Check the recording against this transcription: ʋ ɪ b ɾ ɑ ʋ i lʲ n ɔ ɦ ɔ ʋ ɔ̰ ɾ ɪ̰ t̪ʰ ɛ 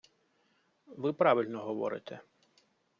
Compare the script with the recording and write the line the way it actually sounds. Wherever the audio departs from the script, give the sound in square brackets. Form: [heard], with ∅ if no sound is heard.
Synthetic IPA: ʋ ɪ [p] ɾ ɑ ʋ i lʲ n ɔ ɦ ɔ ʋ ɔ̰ ɾ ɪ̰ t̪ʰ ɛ

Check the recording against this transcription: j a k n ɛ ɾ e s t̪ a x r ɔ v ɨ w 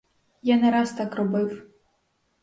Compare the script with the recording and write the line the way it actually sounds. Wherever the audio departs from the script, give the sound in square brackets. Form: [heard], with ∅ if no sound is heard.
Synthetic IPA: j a [∅] n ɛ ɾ [a] s t̪ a [k] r ɔ [b] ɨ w

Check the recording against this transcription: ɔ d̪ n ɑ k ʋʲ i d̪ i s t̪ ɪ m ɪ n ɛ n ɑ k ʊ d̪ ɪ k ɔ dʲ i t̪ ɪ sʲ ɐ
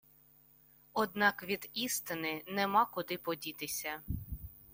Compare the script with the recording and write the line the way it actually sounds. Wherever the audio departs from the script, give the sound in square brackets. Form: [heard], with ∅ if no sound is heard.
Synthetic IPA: ɔ d̪ n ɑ k ʋʲ i d̪ i s t̪ ɪ [n] ɪ n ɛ [m] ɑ k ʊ d̪ ɪ [p] ɔ dʲ i t̪ ɪ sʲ ɐ

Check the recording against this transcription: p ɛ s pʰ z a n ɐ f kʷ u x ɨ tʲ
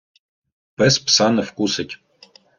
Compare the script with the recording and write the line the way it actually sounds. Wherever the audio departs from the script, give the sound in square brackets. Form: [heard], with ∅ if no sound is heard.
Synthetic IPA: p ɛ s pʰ [s] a n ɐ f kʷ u [s] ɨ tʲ

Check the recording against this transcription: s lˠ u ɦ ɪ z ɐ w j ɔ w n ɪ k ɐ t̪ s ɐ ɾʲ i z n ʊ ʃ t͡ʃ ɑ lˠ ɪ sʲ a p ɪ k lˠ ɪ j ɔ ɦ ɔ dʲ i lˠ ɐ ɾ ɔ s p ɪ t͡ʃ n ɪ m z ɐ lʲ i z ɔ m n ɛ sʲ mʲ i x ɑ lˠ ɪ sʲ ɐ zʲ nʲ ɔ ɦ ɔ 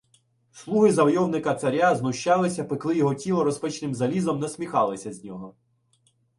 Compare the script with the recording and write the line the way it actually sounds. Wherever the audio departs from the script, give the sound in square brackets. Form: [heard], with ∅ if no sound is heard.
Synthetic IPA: s lˠ u ɦ ɪ z ɐ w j ɔ w n ɪ k ɐ t̪ s ɐ ɾʲ [a] z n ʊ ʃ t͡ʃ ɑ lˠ ɪ sʲ [ɐ] p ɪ k lˠ ɪ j ɔ ɦ ɔ [tʲ] i lˠ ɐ ɾ ɔ s p ɪ t͡ʃ n ɪ m z ɐ lʲ i z ɔ m n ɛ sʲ mʲ i x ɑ lˠ ɪ sʲ ɐ zʲ nʲ ɔ ɦ ɔ

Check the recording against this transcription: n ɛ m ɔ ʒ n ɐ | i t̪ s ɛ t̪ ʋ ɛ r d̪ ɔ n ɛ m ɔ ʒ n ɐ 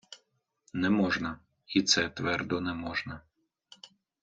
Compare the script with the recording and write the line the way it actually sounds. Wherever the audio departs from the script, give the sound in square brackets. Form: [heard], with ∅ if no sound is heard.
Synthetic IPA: n ɛ m ɔ ʒ n ɐ | i t̪ s ɛ t̪ ʋ ɛ r d̪ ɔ n ɛ m ɔ ʒ n ɐ

